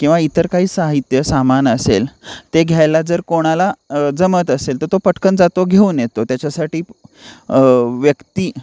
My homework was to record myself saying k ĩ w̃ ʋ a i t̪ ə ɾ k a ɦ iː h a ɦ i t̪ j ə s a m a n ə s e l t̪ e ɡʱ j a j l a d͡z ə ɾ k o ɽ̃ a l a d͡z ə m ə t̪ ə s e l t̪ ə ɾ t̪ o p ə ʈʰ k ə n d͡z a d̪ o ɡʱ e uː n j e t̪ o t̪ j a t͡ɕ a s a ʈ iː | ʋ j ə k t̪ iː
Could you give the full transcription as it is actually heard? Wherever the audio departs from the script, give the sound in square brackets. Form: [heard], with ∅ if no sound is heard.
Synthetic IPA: k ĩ w̃ ʋ a i t̪ ə ɾ k a ɦ iː [s] a ɦ i t̪ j ə s a m a n ə s e l t̪ e ɡʱ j a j l a d͡z ə ɾ k o ɽ̃ a l a d͡z ə m ə t̪ ə s e l t̪ ə ɾ t̪ o p ə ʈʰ k ə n d͡z a [t̪] o ɡʱ e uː n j e t̪ o t̪ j a t͡ɕ a s a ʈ iː | ʋ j ə k t̪ iː